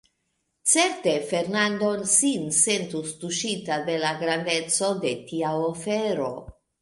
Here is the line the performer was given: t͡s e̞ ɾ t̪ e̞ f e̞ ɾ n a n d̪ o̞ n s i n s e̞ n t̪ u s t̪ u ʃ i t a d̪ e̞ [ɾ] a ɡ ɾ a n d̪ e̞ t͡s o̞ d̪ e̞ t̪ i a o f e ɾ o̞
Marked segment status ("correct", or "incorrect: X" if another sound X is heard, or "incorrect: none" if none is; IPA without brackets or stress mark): incorrect: l